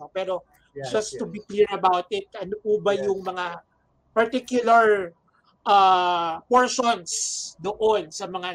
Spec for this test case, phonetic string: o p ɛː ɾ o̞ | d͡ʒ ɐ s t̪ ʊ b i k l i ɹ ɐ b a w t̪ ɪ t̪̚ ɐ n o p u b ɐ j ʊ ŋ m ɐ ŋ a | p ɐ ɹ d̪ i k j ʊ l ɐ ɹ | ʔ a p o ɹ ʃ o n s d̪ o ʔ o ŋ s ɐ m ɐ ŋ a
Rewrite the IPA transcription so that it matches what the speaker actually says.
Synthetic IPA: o p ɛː ɾ o̞ | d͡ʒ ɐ s t̪ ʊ b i k l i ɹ ɐ b a w t̪ ɪ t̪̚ ɐ n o p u b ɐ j ʊ ŋ m ɐ ŋ a | p ɐ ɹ t̪ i k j ʊ l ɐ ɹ | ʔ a p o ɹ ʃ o n s d̪ o ʔ o n s ɐ m ɐ ŋ a